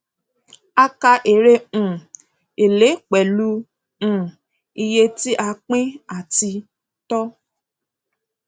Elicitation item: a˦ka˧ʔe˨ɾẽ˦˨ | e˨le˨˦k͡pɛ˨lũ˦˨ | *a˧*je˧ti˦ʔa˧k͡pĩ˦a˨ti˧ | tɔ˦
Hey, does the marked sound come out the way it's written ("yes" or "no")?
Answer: no